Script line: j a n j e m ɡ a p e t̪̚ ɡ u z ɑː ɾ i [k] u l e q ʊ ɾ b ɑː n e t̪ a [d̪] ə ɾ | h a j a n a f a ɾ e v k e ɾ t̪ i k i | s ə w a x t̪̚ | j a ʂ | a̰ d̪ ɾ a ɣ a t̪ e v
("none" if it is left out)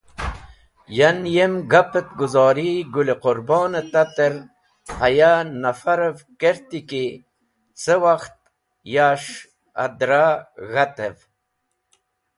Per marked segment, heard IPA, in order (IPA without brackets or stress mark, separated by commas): ɡ, t̪